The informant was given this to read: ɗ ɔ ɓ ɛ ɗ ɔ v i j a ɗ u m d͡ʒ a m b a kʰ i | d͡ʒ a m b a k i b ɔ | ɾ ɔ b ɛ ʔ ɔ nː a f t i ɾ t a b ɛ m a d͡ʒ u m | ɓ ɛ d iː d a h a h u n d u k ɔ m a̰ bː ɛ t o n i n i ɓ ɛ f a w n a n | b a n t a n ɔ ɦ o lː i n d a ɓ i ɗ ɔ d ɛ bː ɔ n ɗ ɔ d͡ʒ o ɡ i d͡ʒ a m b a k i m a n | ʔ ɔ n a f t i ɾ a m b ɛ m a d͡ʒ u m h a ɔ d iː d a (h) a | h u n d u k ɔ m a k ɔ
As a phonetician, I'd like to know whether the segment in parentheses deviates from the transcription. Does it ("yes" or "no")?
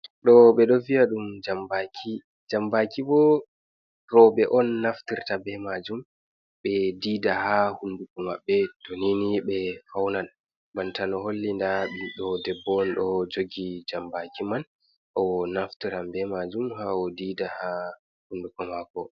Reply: no